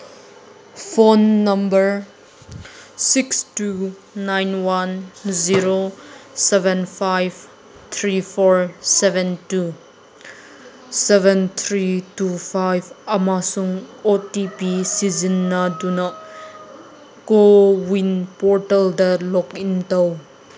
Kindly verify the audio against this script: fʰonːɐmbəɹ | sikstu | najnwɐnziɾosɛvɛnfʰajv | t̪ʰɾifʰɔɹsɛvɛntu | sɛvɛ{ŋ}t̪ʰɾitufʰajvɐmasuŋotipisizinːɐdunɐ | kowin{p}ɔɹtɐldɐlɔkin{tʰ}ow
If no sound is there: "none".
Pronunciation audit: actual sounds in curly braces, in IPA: n, p, t

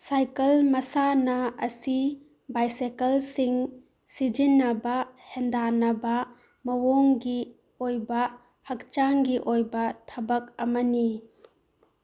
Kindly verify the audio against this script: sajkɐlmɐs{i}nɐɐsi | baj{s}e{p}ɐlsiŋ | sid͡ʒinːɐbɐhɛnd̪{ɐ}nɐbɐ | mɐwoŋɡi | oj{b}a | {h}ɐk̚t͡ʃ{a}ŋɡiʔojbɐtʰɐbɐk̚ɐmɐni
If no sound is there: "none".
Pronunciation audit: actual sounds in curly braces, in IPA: a, s, k, a, b, h, a

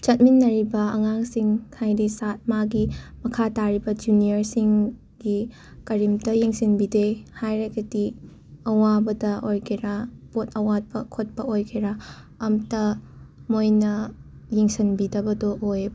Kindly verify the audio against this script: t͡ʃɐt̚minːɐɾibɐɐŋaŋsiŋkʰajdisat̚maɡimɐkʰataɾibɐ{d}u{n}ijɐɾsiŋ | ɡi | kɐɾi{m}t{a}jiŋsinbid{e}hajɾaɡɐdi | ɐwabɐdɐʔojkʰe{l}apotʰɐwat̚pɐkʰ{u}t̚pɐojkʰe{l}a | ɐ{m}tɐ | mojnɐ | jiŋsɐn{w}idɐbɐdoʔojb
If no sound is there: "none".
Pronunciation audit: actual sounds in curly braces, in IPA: d͡ʒ, n, m, ɐ, e, ɾ, o, ɾ, m, b

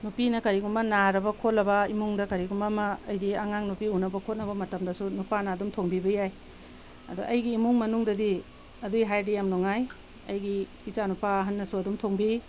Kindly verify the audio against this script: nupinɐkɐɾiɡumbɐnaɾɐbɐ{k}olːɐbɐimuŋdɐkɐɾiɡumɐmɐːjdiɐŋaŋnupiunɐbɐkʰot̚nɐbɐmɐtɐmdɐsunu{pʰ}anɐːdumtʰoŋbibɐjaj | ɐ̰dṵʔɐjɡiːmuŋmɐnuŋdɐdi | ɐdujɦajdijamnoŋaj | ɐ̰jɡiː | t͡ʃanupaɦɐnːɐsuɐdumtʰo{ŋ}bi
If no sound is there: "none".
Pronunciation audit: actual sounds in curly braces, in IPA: kʰ, p, ŋ

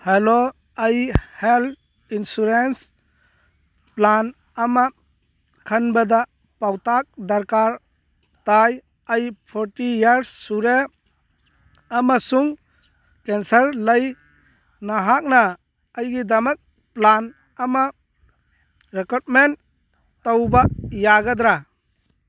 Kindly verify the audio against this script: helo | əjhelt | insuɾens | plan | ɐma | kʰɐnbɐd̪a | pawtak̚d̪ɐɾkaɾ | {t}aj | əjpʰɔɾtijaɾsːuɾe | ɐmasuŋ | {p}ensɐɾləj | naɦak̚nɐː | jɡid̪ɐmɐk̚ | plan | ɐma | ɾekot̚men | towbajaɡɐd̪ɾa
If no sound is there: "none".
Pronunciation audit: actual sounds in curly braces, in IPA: t, k

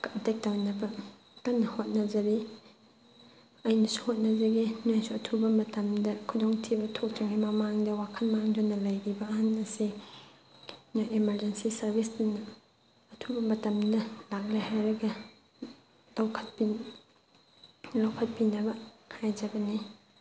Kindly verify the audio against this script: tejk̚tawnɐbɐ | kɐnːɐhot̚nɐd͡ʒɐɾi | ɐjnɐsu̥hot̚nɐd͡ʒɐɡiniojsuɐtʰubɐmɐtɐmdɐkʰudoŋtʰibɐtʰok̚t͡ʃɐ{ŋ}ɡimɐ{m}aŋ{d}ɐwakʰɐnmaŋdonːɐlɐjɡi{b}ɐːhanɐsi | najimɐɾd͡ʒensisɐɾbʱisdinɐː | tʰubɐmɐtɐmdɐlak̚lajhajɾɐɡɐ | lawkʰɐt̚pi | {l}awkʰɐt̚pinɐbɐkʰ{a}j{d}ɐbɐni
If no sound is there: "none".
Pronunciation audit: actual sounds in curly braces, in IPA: ŋ, m, d, b, l, a, d͡ʒ

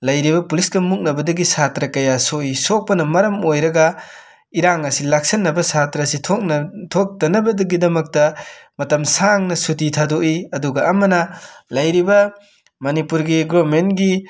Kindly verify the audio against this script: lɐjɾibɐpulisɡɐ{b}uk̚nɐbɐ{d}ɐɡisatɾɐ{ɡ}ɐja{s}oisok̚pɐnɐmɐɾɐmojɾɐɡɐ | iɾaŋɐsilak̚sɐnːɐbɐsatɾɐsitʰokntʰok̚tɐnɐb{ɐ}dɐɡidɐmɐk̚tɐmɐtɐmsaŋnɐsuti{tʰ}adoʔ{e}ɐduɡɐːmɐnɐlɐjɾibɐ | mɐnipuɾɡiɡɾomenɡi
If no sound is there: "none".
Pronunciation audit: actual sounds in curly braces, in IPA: m, d, k, s, ɐ, tʰ, i

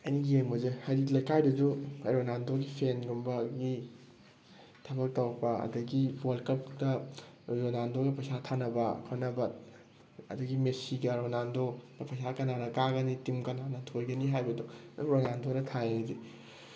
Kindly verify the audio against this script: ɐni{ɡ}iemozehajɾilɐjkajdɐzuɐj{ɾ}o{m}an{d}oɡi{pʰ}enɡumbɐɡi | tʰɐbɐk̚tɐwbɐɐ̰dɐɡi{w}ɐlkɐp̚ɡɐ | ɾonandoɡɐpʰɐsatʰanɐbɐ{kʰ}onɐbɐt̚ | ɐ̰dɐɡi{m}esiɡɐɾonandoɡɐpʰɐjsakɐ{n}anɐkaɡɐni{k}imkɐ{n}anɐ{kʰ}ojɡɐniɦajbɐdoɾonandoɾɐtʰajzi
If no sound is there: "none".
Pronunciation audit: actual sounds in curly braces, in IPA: ɡ, ɾ, n, d, pʰ, w, kʰ, m, n, t, n, tʰ

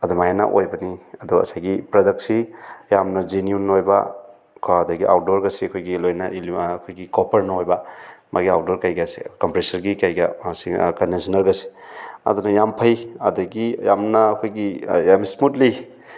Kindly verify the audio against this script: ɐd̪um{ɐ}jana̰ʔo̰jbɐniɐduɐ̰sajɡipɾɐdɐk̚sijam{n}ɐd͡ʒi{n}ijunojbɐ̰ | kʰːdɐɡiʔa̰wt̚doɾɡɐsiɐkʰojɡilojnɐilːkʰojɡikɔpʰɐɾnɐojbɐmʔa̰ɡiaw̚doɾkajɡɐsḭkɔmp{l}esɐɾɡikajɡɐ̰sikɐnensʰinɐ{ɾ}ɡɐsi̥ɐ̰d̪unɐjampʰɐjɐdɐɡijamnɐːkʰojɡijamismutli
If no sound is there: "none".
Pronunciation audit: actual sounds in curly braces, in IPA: a, n, n, ɾ, ɾ

